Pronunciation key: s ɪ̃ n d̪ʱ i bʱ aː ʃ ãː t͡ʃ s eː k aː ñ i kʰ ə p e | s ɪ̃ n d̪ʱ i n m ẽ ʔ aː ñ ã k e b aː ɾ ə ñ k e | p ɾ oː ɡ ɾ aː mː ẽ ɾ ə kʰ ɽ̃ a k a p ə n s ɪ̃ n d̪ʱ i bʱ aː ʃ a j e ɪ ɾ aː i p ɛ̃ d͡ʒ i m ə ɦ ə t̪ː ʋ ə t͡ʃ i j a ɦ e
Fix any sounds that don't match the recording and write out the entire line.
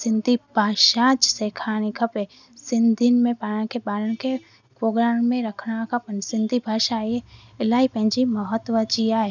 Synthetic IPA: s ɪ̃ n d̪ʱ i bʱ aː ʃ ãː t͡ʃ s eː kʰ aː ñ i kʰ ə p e | s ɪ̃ n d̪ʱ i n m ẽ p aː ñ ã k e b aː ɾ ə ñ k e | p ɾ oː ɡ ɾ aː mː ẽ ɾ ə kʰ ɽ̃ a k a p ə n s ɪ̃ n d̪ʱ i bʱ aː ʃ a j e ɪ l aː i p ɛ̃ d͡ʒ i m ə ɦ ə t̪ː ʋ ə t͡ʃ i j a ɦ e